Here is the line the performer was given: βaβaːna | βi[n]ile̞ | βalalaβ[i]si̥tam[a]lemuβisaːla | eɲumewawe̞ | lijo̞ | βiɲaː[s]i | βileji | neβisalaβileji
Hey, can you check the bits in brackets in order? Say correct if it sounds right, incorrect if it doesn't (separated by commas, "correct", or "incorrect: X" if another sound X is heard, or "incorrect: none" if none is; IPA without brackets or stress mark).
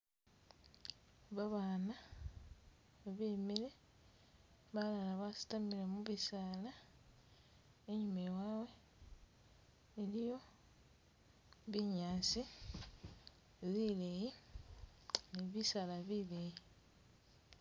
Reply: incorrect: m, incorrect: a, incorrect: i, correct